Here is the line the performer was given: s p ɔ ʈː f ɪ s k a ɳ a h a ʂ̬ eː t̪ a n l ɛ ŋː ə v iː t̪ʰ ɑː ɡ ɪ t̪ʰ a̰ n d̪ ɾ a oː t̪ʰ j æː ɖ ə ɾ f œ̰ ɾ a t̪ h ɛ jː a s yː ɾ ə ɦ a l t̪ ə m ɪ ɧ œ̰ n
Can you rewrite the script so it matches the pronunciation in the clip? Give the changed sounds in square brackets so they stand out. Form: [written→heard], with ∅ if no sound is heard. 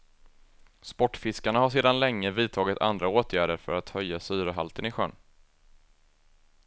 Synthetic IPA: s p ɔ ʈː f ɪ s k a ɳ a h a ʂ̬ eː [t̪→d̪] a n l ɛ ŋː ə v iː t̪ʰ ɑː ɡ ɪ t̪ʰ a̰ n d̪ ɾ a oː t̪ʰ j æː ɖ ə ɾ f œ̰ ɾ a t̪ h [ɛ→œ] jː a s yː ɾ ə ɦ a l t̪ ə [m→n] ɪ ɧ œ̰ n